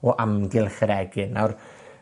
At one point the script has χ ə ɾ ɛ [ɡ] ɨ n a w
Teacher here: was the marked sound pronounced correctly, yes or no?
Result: yes